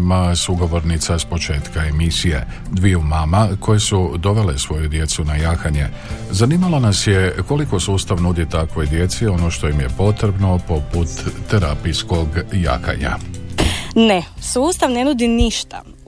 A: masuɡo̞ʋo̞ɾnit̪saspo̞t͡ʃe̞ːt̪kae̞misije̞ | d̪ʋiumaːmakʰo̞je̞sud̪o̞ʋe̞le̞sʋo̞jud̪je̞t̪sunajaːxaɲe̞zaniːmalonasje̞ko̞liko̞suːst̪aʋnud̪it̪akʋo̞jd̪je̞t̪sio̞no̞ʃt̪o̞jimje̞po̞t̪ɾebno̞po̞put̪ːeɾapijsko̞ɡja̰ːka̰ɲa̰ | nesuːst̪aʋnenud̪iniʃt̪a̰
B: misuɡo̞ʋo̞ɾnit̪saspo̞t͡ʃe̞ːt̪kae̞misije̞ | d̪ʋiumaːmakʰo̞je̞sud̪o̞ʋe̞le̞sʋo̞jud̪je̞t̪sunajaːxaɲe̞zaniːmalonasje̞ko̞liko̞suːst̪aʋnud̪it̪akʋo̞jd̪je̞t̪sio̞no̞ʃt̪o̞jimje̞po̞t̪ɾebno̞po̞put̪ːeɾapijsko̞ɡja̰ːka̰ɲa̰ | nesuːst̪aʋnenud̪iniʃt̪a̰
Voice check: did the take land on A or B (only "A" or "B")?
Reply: A